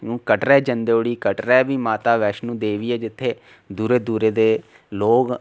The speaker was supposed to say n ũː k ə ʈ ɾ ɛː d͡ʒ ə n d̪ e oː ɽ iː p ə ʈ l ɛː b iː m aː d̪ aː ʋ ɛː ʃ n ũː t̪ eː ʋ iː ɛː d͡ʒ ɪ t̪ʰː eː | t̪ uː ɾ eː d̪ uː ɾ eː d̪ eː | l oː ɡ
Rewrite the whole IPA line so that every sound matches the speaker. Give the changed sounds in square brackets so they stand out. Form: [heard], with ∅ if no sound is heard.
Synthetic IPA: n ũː k ə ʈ ɾ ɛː d͡ʒ ə n d̪ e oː ɽ iː [k] ə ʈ [ɾ] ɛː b iː m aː [t̪] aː ʋ ɛː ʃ n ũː [d̪] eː ʋ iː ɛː d͡ʒ ɪ t̪ʰː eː | [d̪] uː ɾ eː d̪ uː ɾ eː d̪ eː | l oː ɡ